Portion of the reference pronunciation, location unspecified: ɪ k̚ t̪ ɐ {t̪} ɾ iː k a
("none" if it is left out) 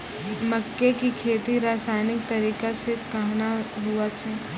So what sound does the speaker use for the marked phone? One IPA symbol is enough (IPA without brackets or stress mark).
none